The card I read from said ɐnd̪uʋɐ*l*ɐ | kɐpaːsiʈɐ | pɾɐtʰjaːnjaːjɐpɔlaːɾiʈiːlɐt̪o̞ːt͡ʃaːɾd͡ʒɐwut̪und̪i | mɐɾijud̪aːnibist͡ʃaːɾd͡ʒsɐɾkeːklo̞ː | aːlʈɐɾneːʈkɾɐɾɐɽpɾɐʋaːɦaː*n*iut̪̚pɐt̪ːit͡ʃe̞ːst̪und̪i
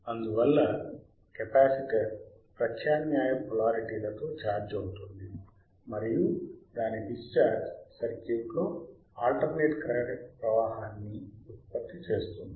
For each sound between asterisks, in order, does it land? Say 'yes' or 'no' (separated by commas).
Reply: no, no